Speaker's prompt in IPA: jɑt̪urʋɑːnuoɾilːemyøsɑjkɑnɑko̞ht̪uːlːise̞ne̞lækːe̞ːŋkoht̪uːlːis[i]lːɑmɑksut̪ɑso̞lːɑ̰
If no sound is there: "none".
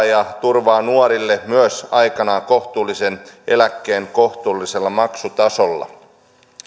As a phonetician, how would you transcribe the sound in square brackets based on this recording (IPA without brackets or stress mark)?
e